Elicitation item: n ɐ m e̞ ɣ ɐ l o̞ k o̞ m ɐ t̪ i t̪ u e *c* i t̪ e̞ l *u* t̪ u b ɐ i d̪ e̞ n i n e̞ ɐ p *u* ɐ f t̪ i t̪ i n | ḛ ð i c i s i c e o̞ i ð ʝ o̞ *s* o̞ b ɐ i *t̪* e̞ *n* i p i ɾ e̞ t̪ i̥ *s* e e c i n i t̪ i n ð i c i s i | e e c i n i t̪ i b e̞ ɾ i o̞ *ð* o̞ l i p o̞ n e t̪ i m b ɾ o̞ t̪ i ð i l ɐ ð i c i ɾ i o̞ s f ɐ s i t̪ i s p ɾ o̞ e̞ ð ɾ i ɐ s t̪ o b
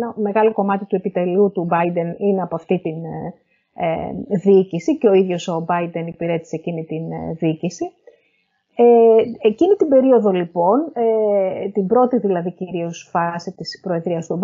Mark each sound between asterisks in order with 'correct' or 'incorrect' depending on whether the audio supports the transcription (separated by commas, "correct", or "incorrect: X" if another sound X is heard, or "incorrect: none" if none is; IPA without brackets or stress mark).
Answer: incorrect: p, correct, incorrect: o, correct, incorrect: d̪, correct, correct, correct